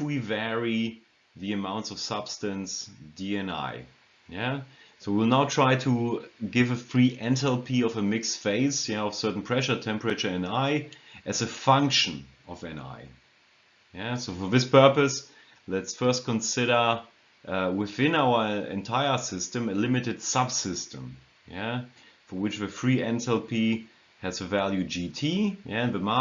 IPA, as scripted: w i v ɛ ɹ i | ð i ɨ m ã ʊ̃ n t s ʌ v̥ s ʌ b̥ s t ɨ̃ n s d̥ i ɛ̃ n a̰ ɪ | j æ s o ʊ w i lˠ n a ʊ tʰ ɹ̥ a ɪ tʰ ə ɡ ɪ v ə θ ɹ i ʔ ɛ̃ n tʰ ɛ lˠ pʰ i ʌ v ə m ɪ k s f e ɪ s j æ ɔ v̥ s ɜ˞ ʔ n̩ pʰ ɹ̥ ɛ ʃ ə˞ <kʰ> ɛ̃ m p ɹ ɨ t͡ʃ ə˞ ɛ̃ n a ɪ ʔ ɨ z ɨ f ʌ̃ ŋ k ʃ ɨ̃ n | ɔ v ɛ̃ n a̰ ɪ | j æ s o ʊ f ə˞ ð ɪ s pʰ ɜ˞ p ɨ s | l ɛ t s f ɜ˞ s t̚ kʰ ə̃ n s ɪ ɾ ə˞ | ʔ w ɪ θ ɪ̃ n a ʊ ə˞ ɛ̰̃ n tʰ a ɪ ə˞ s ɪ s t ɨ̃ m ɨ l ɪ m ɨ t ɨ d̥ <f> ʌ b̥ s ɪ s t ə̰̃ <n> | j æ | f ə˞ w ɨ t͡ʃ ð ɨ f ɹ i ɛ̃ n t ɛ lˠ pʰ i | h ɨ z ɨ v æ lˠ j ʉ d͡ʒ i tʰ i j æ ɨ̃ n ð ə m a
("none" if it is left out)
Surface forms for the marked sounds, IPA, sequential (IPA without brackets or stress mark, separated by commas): tʰ, s, m